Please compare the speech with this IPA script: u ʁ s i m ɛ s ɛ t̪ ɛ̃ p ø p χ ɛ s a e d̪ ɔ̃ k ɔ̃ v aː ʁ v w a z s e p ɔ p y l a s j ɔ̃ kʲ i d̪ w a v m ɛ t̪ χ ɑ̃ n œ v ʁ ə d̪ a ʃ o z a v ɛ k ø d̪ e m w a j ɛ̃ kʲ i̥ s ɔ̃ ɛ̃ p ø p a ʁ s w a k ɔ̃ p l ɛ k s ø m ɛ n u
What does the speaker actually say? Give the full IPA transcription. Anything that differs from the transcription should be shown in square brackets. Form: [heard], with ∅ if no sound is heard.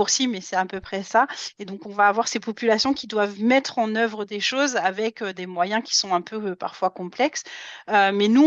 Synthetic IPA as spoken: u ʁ s i m ɛ s ɛ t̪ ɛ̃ p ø p χ ɛ s a e d̪ ɔ̃ k ɔ̃ v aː [∅] v w a [ʁ] s e p ɔ p y l a s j ɔ̃ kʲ i d̪ w a v m ɛ t̪ χ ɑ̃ n œ v ʁ ə d̪ [e] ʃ o z a v ɛ k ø d̪ e m w a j ɛ̃ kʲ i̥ s ɔ̃ ɛ̃ p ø p a ʁ [f] w a k ɔ̃ p l ɛ k s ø m ɛ n u

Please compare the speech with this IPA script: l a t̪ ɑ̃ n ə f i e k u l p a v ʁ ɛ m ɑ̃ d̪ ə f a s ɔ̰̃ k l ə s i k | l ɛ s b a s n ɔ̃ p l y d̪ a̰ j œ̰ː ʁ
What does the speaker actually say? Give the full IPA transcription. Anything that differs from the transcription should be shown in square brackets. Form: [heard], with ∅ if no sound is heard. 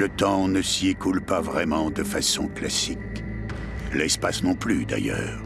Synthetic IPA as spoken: l [ə] t̪ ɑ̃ n ə [s] i e k u l p a v ʁ ɛ m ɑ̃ d̪ ə f a s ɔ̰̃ k l [a] s i k | l ɛ s [p] a s n ɔ̃ p l y d̪ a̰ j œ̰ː ʁ

